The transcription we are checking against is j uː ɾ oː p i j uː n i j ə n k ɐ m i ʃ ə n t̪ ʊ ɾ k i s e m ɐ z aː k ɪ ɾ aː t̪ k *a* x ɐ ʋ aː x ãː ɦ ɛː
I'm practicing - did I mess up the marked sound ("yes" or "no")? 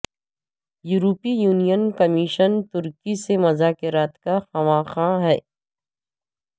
no